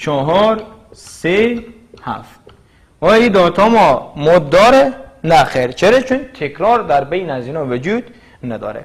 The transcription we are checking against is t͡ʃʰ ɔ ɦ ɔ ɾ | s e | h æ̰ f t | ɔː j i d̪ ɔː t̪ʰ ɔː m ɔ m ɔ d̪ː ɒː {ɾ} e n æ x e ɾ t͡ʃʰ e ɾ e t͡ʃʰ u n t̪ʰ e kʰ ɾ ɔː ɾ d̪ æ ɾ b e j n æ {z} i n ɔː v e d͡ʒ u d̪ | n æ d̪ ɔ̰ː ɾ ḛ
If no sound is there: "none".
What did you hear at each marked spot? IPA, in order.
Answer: ɾ, z

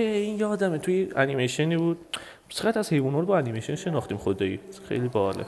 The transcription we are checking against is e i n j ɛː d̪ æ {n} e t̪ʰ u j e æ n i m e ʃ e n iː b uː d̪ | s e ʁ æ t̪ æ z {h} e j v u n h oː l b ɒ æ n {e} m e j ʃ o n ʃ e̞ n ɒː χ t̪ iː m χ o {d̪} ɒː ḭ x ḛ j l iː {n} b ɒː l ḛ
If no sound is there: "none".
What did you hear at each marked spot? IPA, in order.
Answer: m, h, i, d̪, none

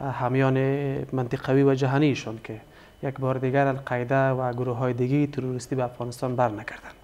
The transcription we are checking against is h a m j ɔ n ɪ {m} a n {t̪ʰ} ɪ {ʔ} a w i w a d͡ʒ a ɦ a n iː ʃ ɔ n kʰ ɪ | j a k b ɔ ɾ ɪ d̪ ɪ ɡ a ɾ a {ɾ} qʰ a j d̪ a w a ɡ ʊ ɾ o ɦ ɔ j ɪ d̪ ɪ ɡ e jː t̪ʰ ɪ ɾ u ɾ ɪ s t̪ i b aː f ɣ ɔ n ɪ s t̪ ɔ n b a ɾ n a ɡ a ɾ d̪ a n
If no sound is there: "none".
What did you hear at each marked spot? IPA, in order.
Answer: m, t̪, q, l

